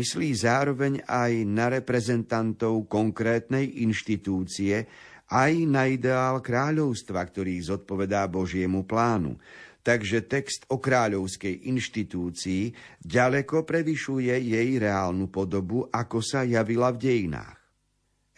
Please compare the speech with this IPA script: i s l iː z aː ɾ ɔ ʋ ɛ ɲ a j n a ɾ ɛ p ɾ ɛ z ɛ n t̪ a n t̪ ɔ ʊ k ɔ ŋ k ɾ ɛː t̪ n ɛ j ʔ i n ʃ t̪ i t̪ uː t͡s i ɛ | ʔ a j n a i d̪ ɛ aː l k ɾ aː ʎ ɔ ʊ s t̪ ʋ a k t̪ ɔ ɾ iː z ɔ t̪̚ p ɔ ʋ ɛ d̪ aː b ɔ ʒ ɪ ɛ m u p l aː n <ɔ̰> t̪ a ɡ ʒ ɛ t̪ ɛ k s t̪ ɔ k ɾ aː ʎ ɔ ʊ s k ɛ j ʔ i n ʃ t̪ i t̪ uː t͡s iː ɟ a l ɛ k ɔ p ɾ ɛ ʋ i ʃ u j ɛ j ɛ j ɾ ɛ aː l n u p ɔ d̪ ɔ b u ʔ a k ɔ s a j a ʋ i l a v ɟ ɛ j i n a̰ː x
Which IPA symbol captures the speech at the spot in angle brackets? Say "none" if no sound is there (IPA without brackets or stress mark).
ṵ